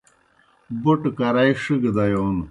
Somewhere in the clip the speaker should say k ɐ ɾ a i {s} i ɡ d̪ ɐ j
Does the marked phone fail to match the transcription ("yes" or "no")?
yes